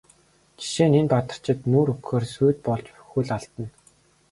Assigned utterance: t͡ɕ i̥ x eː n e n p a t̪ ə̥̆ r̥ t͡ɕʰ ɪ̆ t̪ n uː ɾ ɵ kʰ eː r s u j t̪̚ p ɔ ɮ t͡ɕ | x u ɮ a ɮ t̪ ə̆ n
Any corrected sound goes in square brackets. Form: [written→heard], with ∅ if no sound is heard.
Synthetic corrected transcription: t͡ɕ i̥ [x→ʃ] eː n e n p a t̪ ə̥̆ r̥ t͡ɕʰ ɪ̆ t̪ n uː ɾ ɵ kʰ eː r s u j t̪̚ p ɔ ɮ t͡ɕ | x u ɮ a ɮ t̪ ə̆ n

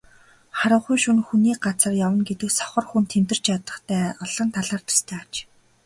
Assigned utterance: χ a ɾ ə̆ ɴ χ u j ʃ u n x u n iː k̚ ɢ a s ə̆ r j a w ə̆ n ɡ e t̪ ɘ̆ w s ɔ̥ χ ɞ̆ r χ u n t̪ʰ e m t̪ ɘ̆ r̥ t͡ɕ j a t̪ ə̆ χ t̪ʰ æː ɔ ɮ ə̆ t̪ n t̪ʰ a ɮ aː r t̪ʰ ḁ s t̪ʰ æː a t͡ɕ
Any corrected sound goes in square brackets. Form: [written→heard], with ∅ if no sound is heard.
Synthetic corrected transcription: χ a ɾ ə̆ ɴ χ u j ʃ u n x u n iː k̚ ɢ a [s→t͡s] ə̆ r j a w ə̆ n ɡ e t̪ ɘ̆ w s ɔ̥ χ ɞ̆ r [χ→x] u n t̪ʰ e m t̪ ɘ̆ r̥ t͡ɕ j a t̪ ə̆ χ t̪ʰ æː ɔ ɮ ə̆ [t̪→∅] n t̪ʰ a ɮ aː r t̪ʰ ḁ s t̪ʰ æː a t͡ɕ

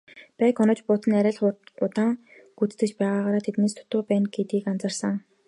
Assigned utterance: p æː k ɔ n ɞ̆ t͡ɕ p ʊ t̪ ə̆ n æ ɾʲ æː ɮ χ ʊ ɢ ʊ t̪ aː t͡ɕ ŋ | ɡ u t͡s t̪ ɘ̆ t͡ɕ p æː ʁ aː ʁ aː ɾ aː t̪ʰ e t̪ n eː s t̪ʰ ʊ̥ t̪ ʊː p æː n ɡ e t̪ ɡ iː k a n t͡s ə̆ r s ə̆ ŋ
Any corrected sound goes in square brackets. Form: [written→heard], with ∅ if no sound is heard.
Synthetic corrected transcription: p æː k ɔ n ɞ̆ t͡ɕ p ʊ t̪ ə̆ n æ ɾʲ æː ɮ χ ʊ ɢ ʊ t̪ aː [t͡ɕ→∅] ŋ | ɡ u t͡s t̪ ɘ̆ t͡ɕ p æː ʁ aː ʁ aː ɾ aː t̪ʰ e t̪ n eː s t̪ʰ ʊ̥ t̪ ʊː p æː n ɡ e t̪ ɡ iː k a n t͡s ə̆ r s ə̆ ŋ

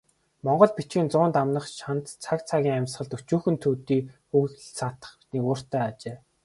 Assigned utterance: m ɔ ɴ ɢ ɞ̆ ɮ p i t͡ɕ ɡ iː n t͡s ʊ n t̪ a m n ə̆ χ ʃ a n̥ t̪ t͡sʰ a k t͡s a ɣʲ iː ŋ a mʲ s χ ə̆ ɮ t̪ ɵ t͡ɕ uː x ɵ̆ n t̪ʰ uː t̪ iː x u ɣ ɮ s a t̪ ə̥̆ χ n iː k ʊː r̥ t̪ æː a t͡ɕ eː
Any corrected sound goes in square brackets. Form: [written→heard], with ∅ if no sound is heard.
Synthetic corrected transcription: m ɔ ɴ ɢ ɞ̆ ɮ p i t͡ɕ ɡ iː n t͡s [ʊ→ʊː] n t̪ a m n ə̆ χ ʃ a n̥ t̪ t͡sʰ a k [t͡s→t͡sʰ] a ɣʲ iː ŋ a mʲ s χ ə̆ ɮ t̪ ɵ t͡ɕ uː x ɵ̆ n t̪ʰ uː t̪ iː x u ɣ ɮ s a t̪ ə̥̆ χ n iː k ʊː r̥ t̪ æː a t͡ɕ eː

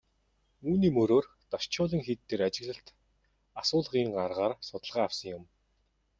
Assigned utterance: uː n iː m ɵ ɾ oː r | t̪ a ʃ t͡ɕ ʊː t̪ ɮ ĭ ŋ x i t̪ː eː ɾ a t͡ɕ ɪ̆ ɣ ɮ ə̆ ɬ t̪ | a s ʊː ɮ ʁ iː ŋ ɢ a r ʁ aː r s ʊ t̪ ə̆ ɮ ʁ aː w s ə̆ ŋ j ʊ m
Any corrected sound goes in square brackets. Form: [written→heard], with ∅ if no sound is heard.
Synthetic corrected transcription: uː n iː m ɵ ɾ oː r | t̪ a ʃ t͡ɕ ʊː [t̪→∅] ɮ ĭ ŋ x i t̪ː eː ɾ a t͡ɕ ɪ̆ ɣ ɮ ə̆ ɬ t̪ | a s ʊː ɮ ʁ iː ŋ ɢ a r ʁ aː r s ʊ t̪ ə̆ ɮ ʁ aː w s ə̆ ŋ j ʊ m

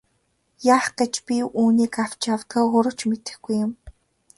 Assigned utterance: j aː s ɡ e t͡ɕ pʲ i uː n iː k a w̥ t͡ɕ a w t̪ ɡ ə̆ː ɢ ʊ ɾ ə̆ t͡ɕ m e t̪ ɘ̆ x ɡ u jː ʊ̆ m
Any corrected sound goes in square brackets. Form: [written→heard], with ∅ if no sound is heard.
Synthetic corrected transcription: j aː [s→χ] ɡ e t͡ɕ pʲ i uː n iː k a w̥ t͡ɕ a w t̪ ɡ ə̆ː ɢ ʊ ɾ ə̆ t͡ɕ m e t̪ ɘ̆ x ɡ u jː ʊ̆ m

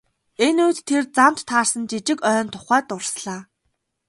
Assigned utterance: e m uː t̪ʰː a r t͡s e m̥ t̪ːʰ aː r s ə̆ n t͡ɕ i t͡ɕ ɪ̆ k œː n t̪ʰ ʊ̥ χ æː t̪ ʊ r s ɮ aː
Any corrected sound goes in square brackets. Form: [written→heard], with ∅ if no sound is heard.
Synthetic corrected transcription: e [m→n] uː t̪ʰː [a→e] r t͡s [e→a] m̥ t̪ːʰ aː r s ə̆ n t͡ɕ i t͡ɕ ɪ̆ k œː n t̪ʰ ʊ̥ χ æː t̪ ʊ r s ɮ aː

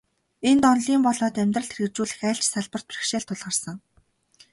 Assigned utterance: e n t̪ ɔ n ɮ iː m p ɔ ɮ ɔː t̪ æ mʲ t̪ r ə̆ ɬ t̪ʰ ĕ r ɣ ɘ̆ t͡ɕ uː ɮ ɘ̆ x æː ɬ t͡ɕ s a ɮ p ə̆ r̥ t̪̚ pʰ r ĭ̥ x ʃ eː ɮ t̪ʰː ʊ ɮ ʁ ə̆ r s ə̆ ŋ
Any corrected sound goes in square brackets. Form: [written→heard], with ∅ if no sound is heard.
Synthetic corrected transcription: e n t̪ ɔ n ɮ iː m p ɔ ɮ ɔː t̪ æ mʲ t̪ r ə̆ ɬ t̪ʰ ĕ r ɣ ɘ̆ t͡ɕ uː ɮ ɘ̆ x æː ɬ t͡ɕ s a ɮ p ə̆ r̥ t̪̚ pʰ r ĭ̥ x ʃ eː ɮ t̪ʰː ʊ ɮ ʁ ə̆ r s ə̆ ŋ

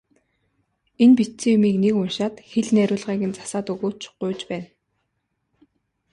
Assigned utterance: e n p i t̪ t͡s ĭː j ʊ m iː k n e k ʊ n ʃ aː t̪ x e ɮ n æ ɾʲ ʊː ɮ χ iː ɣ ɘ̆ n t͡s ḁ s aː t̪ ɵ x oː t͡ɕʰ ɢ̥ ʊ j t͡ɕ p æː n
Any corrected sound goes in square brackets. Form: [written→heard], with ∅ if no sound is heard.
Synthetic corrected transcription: e n p i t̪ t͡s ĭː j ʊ m iː k n e k ʊ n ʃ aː t̪ x e ɮ n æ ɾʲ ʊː ɮ [χ→ʁ] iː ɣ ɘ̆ n t͡s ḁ s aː t̪ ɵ [x→ɣ] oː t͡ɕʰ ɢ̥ ʊ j t͡ɕ p æː n

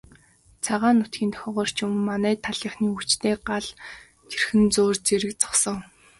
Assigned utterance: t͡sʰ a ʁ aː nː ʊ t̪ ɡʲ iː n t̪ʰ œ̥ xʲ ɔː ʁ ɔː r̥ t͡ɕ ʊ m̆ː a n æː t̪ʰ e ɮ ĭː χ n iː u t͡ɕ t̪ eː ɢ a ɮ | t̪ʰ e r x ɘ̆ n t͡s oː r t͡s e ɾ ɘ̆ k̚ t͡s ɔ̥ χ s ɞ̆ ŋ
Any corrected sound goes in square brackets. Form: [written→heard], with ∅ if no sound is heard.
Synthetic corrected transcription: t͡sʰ a ʁ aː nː ʊ t̪ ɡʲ iː n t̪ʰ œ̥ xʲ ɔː ʁ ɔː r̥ t͡ɕ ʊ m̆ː a n æː t̪ʰ [e→a] ɮ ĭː χ n iː u t͡ɕ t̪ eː ɢ a ɮ | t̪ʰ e r x ɘ̆ n t͡s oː r t͡s e ɾ ɘ̆ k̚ t͡s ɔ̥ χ s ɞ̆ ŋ

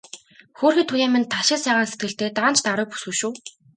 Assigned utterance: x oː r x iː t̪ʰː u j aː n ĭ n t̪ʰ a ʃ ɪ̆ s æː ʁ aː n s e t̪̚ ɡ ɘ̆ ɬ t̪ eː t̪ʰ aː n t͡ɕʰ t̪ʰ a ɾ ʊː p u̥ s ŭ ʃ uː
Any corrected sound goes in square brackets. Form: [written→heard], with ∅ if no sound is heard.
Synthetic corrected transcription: x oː r x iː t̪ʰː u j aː [n→m] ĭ n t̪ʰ a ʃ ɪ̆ s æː ʁ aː n s e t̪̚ ɡ ɘ̆ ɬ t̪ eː [t̪ʰ→t̪] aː n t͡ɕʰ [t̪ʰ→t̪] a ɾ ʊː p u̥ s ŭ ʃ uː

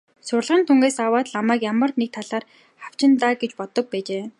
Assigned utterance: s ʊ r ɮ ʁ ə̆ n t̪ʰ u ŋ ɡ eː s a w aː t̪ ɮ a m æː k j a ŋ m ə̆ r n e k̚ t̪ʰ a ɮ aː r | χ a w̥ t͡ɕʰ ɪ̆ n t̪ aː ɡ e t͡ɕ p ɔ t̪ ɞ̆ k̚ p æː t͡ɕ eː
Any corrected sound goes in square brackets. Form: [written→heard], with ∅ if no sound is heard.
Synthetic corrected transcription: s ʊ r ɮ ʁ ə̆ n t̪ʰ u ŋ ɡ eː s a w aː t̪ ɮ a m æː k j a [ŋ→∅] m ə̆ r n e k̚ t̪ʰ a ɮ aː r | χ a w̥ [t͡ɕʰ→t͡ɕ] ɪ̆ n t̪ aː ɡ e t͡ɕ p ɔ t̪ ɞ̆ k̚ p æː t͡ɕ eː

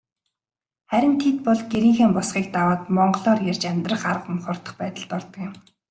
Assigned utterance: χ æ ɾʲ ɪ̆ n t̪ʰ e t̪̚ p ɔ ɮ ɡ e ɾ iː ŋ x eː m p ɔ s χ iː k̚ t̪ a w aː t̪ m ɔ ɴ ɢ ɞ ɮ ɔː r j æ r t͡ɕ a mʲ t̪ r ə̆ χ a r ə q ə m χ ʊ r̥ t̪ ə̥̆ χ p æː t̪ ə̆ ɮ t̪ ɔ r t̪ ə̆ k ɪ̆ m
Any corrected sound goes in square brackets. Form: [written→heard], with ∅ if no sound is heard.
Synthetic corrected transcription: χ æ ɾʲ ɪ̆ n t̪ʰ e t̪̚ p ɔ ɮ ɡ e ɾ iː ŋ x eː m p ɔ s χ iː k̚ t̪ a w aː t̪ m ɔ ɴ ɢ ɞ ɮ ɔː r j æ r t͡ɕ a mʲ t̪ r ə̆ χ a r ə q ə m χ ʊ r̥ t̪ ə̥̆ χ p æː t̪ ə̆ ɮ t̪ ɔ r t̪ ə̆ k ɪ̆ m

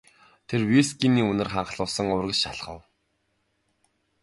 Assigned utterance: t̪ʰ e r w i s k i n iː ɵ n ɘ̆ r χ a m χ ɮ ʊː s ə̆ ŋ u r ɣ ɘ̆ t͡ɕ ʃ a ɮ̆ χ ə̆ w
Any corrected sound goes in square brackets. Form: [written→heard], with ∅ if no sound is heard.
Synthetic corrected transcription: t̪ʰ e r w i s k i n iː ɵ n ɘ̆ r χ a [m→ɴ] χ ɮ ʊː s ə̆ ŋ [u→ʊ] r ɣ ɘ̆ t͡ɕ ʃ a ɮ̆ χ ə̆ w

